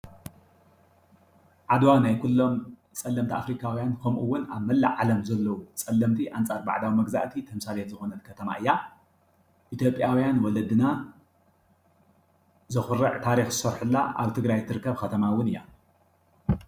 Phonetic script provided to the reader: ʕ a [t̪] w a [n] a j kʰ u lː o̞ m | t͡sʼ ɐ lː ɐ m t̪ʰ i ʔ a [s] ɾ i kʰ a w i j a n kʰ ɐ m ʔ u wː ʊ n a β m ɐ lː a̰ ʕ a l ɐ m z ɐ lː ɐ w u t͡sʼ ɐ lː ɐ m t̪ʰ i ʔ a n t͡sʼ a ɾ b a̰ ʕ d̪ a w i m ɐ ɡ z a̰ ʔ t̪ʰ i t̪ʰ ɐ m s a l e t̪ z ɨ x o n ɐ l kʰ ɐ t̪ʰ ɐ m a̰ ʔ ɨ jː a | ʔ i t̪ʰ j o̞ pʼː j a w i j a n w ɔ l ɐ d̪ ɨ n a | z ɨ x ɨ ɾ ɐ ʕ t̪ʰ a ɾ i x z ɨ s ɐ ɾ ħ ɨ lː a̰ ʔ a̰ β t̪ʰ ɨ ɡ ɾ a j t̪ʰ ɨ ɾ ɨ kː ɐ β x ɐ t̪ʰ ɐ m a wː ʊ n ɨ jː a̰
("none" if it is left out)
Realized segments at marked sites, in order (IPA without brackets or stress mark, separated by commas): d̪, n, f